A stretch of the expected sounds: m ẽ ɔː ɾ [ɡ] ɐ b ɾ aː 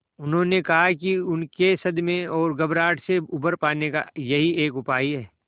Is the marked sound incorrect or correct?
correct